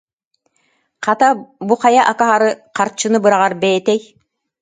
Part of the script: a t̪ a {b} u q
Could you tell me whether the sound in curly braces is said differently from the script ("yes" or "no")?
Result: no